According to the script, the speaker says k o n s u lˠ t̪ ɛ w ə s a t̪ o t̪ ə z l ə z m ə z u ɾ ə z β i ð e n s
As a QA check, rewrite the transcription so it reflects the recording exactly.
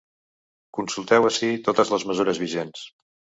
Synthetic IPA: k u n s u lˠ t̪ ɛ w ə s i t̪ o t̪ ə z l ə z m ə z u ɾ ə z β i ʒ e n s